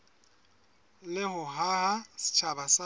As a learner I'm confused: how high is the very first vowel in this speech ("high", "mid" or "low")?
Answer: high